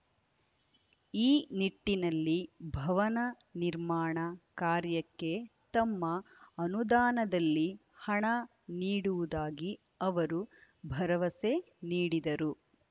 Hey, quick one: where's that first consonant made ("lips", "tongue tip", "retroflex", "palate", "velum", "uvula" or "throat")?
tongue tip